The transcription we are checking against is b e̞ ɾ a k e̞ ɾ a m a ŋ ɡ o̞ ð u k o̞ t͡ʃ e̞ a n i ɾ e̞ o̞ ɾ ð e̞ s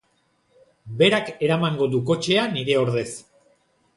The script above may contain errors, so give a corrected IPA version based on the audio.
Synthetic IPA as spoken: b e̞ ɾ a k e̞ ɾ a m a ŋ ɡ o̞ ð u k o̞ t͡ʃ e̞ a n i ɾ e̞ o̞ ɾ ð e̞ s